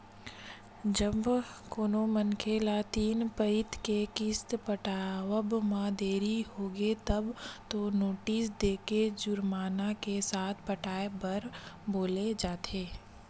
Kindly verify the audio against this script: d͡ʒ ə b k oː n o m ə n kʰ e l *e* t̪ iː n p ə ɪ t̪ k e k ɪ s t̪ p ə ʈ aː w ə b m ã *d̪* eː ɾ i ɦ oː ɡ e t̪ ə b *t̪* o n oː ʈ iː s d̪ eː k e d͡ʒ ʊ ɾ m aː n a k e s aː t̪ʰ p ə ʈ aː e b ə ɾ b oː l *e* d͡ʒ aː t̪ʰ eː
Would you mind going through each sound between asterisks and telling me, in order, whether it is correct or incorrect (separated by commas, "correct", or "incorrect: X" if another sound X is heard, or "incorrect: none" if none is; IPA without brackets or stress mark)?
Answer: incorrect: a, correct, correct, correct